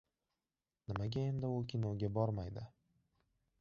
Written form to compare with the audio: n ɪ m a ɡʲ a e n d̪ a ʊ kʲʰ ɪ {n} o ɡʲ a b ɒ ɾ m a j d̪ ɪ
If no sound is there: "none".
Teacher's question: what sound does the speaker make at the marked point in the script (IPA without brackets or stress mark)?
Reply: n